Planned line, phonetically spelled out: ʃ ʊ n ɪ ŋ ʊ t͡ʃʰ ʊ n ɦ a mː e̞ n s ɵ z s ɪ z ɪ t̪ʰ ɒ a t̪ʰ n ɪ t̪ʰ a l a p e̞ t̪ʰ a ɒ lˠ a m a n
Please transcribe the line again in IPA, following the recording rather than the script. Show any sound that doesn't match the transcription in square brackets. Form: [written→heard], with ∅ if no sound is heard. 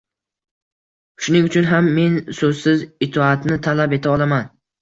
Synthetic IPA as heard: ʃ ʊ n ɪ ŋ ʊ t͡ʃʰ ʊ n ɦ a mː e̞ n s ɵ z s ɪ z ɪ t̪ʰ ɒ a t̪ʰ n ɪ t̪ʰ a l a p e̞ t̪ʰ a ɒ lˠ a m a n